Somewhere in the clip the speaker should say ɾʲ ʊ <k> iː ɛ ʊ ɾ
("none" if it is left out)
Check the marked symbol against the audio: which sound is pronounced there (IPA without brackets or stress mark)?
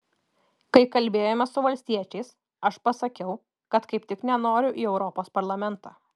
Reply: ʔ